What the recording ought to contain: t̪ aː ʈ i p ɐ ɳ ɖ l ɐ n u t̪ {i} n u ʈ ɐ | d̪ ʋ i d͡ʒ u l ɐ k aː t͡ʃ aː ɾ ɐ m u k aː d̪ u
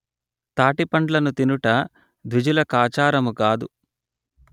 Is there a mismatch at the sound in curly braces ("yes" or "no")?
no